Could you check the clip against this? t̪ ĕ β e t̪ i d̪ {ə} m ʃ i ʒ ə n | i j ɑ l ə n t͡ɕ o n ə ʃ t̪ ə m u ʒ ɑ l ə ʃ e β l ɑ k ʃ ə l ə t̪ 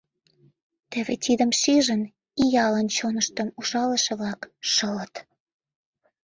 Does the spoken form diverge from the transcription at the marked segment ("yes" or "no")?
no